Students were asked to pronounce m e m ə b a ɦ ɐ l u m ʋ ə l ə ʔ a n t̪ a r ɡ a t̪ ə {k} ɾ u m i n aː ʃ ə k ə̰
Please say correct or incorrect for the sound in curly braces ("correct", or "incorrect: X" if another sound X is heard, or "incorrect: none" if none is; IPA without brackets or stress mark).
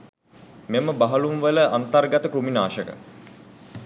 correct